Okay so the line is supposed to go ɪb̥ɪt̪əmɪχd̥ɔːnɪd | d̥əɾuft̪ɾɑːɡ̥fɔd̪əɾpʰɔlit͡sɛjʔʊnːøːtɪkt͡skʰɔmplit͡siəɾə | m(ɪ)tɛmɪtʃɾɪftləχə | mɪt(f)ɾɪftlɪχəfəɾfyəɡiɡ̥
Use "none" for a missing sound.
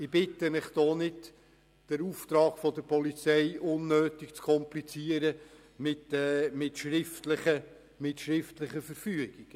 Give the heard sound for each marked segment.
ɪ, ʃ

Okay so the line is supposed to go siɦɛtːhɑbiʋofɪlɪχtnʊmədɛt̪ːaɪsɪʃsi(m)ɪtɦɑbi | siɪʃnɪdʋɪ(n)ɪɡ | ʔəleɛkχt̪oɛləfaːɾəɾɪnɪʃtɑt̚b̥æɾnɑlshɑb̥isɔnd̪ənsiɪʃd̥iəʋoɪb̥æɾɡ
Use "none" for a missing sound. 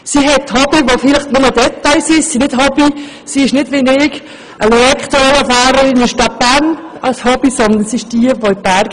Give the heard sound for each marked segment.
n, n

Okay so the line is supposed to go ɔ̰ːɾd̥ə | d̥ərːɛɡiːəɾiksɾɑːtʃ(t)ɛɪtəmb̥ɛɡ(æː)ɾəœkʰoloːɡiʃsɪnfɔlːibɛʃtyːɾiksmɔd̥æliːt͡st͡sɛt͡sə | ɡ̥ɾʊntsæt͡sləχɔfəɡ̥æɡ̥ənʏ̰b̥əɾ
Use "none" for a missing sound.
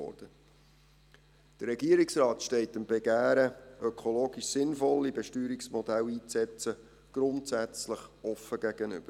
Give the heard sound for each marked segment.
t, æː

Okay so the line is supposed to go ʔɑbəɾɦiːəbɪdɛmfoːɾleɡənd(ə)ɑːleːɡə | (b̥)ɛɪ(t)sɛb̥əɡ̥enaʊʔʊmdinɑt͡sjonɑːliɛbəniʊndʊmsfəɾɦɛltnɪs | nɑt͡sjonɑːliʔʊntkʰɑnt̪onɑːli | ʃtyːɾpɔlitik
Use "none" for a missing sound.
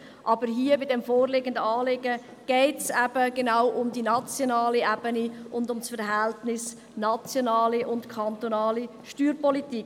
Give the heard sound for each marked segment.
ə, ɡ̥, t

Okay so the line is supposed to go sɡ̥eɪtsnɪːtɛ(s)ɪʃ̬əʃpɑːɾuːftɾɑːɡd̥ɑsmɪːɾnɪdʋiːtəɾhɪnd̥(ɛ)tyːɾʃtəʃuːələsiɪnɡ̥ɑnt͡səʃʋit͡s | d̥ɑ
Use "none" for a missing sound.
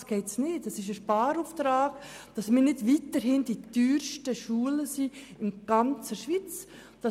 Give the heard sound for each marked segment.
s, i

